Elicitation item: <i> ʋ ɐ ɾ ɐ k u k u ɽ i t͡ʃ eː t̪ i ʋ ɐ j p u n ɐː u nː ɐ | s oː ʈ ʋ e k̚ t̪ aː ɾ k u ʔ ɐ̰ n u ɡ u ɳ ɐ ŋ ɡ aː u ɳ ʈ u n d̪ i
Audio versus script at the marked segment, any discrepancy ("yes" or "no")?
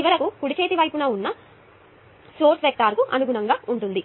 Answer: no